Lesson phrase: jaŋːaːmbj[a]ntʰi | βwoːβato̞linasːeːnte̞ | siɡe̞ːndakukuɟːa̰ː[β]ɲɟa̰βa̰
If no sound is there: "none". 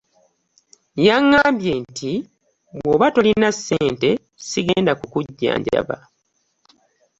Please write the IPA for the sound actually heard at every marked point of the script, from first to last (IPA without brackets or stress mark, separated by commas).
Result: e, none